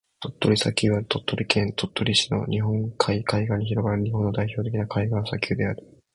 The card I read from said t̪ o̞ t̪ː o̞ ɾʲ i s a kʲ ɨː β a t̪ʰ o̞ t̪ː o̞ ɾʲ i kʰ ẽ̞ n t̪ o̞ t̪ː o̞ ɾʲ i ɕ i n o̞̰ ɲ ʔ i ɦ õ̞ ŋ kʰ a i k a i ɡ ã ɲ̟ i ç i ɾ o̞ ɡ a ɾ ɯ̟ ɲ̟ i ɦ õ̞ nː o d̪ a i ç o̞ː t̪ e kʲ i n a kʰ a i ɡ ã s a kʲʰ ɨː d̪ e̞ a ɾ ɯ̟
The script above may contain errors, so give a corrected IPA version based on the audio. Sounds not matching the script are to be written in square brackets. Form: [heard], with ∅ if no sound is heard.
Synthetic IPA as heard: t̪ o̞ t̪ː o̞ ɾʲ i s a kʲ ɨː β a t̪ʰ o̞ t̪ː o̞ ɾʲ i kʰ ẽ̞ n t̪ o̞ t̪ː o̞ ɾʲ i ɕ i n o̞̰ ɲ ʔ i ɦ õ̞ ŋ kʰ a i k a i ɡ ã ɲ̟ i ç i ɾ o̞ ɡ a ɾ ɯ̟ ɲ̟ i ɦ õ̞ nː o d̪ a i ç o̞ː t̪ e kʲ i n a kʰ a i ɡ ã s a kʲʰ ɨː d̪ e̞ a ɾ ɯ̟